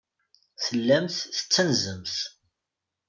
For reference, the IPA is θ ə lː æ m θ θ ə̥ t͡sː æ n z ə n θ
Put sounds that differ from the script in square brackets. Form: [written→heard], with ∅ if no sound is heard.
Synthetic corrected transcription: θ ə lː æ m θ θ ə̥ t͡sː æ n z ə [n→m] θ